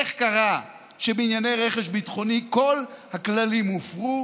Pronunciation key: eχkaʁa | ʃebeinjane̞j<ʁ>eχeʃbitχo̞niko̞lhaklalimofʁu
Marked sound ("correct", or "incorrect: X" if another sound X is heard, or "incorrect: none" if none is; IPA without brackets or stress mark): correct